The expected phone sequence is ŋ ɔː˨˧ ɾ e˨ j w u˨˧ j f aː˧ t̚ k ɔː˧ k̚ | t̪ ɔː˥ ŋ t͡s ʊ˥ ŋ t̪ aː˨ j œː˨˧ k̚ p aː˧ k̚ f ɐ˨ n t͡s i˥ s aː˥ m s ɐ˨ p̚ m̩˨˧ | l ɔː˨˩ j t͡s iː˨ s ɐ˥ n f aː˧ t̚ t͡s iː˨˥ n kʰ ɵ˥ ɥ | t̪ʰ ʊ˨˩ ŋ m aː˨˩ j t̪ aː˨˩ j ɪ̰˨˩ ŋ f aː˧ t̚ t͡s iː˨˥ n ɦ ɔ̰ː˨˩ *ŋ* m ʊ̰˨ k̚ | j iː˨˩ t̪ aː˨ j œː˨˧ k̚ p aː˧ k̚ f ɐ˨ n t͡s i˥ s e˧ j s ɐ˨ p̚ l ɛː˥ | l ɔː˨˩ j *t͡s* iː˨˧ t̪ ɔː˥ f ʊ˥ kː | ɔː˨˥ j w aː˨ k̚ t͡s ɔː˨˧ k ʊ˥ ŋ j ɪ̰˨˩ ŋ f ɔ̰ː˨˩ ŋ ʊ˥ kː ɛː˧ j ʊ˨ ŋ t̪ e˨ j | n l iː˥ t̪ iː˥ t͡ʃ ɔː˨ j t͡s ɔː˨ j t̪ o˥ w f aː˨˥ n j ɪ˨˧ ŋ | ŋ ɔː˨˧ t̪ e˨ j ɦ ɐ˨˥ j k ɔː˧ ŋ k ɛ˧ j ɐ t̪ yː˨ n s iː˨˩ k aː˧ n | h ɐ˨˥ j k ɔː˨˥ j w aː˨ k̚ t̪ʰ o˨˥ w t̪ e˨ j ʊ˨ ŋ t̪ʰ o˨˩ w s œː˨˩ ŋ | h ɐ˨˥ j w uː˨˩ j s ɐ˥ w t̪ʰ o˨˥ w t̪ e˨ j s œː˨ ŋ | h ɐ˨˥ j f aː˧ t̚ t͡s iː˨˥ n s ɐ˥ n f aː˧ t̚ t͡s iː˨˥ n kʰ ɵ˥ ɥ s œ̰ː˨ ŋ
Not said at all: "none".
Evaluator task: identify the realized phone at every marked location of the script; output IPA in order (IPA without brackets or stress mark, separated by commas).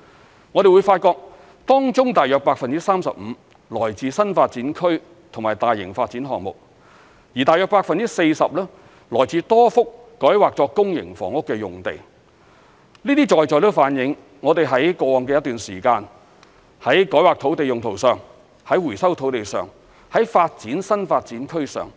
ŋ, t͡s